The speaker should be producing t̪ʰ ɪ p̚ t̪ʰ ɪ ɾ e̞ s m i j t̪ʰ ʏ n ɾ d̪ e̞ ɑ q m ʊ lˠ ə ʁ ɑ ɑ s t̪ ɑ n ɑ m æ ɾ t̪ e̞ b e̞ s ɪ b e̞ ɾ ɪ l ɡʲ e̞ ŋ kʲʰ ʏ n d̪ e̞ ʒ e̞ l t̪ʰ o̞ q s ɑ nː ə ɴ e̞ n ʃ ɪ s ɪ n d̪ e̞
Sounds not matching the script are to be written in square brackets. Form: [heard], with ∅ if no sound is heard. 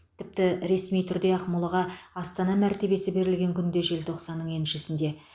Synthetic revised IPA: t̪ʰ ɪ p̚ [t̪] ɪ ɾ e̞ s m i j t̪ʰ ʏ [∅] ɾ d̪ e̞ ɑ q m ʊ lˠ ə ʁ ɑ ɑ s t̪ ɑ n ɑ m æ ɾ t̪ e̞ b e̞ s ɪ b e̞ ɾ ɪ l ɡʲ e̞ ŋ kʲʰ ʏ n d̪ e̞ ʒ e̞ l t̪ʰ o̞ q s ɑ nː ə ɴ e̞ n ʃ ɪ s ɪ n d̪ e̞